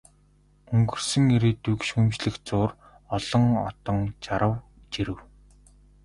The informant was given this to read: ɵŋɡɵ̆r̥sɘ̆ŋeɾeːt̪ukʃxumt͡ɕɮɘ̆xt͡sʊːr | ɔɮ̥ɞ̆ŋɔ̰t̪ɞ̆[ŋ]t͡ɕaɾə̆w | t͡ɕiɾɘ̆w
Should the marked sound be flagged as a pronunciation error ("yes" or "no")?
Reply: no